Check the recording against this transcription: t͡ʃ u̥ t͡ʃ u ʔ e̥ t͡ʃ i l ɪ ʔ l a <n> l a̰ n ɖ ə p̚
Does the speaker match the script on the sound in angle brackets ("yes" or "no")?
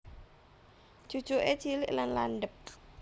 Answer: yes